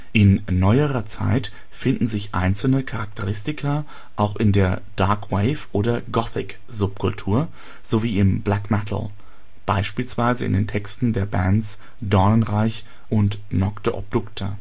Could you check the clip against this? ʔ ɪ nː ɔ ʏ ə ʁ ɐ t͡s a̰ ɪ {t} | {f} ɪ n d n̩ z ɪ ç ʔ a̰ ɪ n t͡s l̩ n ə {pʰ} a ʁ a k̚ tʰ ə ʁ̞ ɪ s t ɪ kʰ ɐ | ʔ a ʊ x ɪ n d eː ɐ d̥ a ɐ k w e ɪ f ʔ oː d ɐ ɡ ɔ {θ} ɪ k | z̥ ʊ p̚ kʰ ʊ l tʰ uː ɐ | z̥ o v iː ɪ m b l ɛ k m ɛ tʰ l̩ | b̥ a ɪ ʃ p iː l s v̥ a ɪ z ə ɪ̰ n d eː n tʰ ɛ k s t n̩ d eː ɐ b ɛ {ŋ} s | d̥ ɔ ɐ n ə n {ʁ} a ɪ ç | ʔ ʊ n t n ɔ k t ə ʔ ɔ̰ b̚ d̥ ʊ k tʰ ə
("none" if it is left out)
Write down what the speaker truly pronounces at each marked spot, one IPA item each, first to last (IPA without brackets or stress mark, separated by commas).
t, f, kʰ, θ, n, ʁ